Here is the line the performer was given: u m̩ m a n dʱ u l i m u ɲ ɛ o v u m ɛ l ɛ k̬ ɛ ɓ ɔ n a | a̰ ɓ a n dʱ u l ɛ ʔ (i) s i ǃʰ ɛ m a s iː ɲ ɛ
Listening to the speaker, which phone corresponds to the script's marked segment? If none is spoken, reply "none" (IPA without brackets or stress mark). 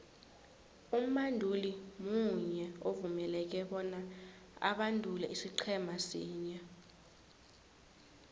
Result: i